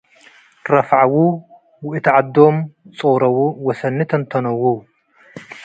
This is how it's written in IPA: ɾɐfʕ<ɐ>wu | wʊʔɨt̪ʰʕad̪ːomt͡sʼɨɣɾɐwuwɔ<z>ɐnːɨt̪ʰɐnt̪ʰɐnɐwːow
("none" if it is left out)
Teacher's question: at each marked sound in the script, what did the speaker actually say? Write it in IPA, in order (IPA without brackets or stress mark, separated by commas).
a, s